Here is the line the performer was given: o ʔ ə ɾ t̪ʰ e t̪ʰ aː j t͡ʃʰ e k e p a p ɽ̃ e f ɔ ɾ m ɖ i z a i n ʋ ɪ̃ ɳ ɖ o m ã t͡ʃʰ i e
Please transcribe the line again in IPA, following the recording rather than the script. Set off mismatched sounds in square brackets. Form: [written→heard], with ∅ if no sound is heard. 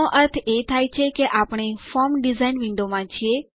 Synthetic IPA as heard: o ʔ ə ɾ t̪ʰ e t̪ʰ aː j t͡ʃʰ e k e [p→ʔ] a p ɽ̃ e f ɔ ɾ m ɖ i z a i n ʋ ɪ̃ ɳ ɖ o m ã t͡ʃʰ i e